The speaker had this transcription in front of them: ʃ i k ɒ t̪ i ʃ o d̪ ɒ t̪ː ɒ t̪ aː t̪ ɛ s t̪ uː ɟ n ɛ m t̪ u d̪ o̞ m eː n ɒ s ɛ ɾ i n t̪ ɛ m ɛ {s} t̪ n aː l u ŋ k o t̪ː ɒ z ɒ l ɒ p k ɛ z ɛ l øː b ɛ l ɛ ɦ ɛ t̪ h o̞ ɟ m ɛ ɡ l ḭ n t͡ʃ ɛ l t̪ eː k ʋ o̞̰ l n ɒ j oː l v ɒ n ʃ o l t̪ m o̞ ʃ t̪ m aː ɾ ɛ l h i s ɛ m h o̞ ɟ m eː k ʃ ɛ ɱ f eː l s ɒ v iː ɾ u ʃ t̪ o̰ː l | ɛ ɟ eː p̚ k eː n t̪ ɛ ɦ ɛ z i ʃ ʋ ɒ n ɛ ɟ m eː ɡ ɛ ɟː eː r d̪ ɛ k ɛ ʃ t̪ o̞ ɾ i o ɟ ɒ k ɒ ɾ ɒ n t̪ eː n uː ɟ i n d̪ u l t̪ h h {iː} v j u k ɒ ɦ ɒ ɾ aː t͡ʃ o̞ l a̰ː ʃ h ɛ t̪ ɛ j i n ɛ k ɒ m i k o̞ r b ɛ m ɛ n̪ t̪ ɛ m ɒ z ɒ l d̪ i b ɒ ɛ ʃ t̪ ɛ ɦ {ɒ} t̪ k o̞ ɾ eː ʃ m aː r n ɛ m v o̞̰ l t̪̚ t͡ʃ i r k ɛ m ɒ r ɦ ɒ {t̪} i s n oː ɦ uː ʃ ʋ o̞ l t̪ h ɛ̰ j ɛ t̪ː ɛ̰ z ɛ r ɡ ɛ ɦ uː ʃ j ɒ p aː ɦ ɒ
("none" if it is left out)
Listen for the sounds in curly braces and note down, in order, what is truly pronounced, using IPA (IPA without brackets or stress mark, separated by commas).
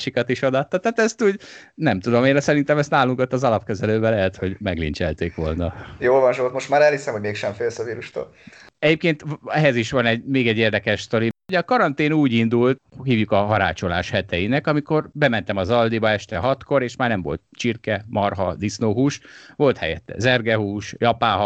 s, iː, ɒ, d̪